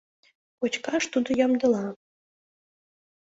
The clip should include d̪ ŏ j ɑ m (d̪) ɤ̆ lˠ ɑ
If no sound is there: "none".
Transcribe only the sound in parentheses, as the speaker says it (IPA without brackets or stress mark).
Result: d̪